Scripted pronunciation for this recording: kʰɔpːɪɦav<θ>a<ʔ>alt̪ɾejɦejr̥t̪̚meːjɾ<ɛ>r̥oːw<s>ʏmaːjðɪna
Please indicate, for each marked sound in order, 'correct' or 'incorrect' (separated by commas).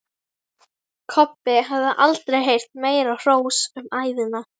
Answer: incorrect, correct, incorrect, correct